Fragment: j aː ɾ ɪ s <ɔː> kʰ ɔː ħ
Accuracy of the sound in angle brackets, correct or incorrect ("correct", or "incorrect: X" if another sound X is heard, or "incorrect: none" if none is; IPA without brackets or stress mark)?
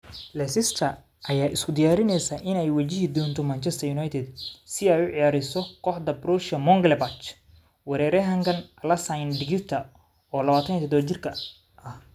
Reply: incorrect: ɔ